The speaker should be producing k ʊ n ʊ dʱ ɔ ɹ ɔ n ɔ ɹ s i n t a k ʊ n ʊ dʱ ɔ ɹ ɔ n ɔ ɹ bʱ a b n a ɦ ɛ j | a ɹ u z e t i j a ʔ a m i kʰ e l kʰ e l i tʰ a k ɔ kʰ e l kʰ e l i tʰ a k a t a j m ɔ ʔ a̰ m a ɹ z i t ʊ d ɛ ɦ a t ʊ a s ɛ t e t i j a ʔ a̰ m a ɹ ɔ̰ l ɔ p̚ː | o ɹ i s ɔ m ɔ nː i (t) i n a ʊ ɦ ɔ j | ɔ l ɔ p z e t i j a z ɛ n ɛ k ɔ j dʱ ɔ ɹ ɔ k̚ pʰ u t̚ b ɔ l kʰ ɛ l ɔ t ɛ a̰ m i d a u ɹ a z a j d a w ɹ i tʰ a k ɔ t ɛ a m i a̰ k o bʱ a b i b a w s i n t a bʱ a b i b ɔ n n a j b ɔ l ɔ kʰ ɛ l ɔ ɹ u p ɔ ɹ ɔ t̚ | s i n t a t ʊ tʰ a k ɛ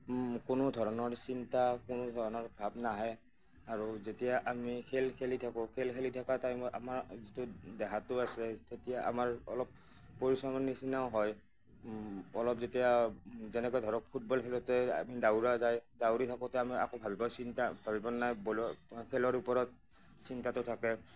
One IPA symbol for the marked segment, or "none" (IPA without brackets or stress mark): s